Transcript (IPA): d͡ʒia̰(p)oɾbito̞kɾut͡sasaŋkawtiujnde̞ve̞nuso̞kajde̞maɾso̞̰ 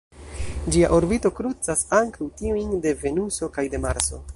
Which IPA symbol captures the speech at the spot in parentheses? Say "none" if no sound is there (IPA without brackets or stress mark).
ʔ